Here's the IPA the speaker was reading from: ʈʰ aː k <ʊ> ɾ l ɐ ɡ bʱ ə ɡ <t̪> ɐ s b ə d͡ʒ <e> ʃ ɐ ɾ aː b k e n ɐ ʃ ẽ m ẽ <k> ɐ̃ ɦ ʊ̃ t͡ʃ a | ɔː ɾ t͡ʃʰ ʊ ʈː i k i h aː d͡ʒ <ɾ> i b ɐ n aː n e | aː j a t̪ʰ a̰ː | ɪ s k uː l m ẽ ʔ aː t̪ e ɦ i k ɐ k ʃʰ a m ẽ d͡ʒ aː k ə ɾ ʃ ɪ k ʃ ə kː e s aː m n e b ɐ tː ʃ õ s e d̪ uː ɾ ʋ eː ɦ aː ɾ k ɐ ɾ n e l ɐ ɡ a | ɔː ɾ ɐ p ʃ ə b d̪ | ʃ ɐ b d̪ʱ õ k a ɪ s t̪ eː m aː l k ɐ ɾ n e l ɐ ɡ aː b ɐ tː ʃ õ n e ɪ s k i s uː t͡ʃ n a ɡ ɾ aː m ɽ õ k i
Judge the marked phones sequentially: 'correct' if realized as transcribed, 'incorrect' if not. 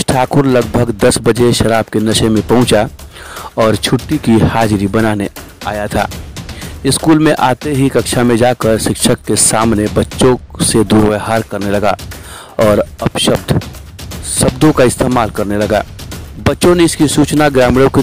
correct, incorrect, correct, incorrect, correct

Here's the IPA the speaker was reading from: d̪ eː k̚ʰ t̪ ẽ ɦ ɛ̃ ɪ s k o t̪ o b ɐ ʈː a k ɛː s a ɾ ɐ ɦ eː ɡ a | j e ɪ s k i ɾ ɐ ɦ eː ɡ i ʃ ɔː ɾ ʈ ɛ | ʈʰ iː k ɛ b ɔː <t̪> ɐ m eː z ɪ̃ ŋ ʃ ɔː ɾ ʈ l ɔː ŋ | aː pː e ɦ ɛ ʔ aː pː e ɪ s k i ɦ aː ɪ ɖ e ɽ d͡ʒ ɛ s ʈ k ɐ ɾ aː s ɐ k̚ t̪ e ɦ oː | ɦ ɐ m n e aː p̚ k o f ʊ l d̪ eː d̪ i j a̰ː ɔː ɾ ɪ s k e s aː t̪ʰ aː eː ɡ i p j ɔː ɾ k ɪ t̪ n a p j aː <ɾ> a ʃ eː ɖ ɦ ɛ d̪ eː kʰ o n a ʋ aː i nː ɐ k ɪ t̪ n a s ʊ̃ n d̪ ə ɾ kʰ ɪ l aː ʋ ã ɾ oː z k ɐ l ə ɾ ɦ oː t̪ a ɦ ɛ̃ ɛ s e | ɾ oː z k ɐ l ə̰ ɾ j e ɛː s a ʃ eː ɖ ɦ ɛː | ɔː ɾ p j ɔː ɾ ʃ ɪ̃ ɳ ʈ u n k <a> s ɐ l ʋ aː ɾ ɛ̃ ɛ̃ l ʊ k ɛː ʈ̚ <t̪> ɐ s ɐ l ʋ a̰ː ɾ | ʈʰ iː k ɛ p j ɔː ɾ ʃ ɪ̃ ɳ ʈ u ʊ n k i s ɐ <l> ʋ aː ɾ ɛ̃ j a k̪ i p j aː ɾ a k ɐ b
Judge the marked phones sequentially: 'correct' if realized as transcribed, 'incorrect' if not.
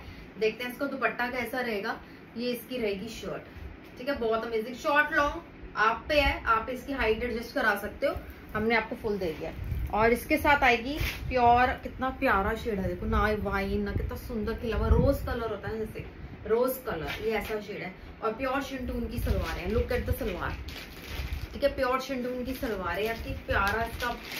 correct, correct, incorrect, incorrect, correct

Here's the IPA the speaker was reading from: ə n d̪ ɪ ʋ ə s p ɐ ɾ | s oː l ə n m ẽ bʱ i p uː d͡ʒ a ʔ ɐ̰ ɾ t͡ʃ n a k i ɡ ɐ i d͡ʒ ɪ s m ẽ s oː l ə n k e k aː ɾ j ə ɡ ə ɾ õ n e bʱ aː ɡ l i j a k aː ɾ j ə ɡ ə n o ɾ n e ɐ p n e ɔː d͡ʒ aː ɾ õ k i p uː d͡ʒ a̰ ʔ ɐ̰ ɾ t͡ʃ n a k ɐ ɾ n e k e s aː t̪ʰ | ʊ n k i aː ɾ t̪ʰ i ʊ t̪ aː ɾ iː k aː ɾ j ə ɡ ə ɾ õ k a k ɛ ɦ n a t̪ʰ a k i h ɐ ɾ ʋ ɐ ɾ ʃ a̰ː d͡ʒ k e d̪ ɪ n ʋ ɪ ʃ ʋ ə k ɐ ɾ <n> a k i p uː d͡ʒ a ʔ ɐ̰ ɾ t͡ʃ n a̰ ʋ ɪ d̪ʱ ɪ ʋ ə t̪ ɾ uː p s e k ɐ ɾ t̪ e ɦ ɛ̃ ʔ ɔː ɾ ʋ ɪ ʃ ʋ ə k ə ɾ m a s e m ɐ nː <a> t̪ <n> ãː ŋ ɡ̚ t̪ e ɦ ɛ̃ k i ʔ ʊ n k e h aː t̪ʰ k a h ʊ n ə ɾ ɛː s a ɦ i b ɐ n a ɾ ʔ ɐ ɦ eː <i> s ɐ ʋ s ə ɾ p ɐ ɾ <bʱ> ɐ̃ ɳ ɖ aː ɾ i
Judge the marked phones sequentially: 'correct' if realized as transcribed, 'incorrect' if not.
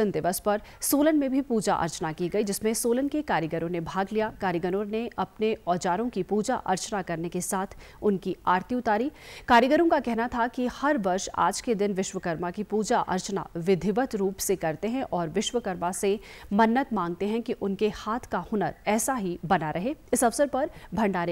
incorrect, incorrect, incorrect, incorrect, correct

